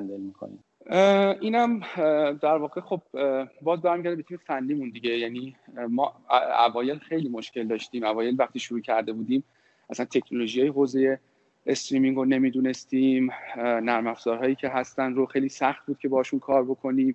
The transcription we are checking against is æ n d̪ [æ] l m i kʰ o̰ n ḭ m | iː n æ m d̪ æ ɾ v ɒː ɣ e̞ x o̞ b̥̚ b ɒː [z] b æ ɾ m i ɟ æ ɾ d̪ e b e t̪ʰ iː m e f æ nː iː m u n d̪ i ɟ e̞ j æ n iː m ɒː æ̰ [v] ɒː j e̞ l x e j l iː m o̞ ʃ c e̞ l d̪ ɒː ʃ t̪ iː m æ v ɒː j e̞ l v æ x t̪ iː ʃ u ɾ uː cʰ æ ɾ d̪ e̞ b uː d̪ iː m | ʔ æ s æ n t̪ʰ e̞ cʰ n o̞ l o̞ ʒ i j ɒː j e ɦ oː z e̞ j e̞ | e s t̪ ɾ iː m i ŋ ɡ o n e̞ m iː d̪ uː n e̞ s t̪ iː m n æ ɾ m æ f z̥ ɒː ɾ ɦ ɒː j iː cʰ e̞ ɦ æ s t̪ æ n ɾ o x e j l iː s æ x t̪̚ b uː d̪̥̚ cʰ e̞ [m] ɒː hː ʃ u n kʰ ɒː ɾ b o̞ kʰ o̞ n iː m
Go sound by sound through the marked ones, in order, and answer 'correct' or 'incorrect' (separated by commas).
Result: incorrect, correct, correct, incorrect